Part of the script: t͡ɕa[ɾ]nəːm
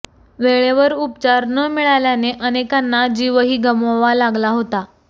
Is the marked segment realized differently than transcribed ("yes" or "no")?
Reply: no